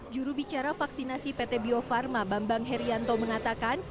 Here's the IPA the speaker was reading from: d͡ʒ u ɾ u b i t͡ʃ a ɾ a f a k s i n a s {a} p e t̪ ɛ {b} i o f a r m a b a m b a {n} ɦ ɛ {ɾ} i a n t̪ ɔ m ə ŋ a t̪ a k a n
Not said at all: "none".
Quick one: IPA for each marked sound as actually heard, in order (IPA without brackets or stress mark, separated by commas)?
i, b, ŋ, ɾ